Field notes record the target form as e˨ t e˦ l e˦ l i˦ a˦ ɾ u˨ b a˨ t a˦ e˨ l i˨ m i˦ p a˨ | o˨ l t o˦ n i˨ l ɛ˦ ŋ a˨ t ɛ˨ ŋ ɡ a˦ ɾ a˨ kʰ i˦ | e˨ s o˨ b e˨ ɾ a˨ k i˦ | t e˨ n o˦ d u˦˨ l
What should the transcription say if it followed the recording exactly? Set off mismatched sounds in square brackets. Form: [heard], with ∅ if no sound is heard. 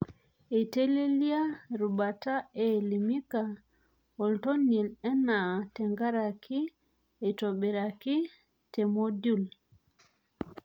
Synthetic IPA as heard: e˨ t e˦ l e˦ l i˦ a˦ ɾ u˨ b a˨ t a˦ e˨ l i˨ m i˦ [k] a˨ | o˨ l t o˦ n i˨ l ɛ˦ [n] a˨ t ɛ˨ ŋ ɡ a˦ ɾ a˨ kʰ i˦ | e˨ [t] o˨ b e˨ ɾ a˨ k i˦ | t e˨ [m] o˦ d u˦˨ l